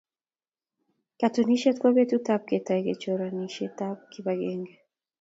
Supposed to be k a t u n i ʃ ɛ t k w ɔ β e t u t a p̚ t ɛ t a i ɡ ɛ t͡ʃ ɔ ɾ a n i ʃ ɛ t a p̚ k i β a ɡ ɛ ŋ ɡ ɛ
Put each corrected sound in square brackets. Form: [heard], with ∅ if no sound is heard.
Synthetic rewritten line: k a t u n i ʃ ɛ t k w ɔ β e t u t a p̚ [k] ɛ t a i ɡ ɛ t͡ʃ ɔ ɾ a n i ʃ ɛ t a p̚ k i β a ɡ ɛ ŋ ɡ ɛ

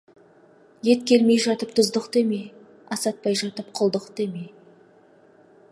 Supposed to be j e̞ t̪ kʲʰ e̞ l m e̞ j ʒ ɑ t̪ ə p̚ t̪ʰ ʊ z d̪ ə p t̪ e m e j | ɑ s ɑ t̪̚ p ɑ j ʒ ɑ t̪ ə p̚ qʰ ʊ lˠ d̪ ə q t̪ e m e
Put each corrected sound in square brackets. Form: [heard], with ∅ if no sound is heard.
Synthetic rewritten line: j e̞ t̪ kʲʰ e̞ l m e̞ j ʒ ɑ t̪ ə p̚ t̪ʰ ʊ z d̪ ə [q] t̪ e m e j | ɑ s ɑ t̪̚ p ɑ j ʒ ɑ t̪ ə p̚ qʰ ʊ lˠ d̪ ə q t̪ e m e

